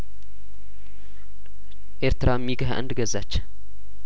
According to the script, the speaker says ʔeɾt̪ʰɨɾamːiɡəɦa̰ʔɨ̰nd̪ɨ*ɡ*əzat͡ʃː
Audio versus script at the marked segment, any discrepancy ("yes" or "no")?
no